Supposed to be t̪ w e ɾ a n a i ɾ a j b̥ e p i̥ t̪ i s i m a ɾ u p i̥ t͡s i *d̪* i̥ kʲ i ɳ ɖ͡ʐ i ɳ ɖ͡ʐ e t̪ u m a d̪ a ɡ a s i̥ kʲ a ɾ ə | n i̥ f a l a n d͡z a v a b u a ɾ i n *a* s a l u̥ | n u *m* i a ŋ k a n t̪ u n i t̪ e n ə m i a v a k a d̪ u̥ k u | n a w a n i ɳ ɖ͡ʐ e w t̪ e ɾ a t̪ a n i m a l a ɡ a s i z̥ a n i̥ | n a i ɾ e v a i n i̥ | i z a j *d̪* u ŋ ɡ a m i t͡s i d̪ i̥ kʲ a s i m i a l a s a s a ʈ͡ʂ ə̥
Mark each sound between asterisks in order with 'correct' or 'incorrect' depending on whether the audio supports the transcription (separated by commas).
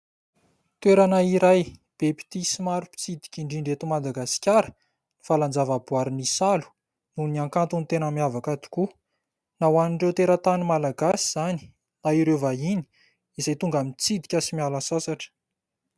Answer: correct, incorrect, incorrect, incorrect